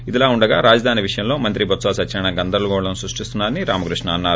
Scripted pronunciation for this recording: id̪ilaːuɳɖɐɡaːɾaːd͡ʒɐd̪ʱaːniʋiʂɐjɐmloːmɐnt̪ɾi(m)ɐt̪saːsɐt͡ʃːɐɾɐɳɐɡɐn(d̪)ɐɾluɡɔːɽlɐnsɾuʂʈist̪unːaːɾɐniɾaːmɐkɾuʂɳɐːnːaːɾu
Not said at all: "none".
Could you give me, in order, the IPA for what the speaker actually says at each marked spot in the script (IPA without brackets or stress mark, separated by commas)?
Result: b, d̪